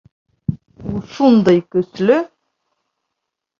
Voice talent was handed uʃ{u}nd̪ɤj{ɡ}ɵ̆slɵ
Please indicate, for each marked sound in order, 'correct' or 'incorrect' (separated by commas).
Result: correct, incorrect